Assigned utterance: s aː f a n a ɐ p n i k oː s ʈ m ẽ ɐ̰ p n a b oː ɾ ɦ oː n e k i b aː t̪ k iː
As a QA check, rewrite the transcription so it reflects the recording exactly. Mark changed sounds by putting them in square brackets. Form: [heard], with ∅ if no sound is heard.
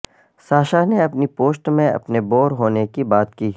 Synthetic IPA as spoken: s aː [ʃ] a n [e] ɐ p n i [p] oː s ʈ m ẽ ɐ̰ p n [e] b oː ɾ ɦ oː n e k i b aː t̪ k iː